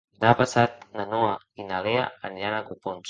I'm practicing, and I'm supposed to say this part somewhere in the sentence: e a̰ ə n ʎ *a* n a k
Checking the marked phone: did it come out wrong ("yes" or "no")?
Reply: no